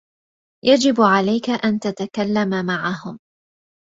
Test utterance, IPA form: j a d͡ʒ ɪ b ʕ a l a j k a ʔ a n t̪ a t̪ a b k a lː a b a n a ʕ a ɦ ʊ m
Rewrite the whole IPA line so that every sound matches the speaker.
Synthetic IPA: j a d͡ʒ ɪ b ʕ a l a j k a ʔ a n t̪ a t̪ a k a lː a m a m a ʕ a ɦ ʊ m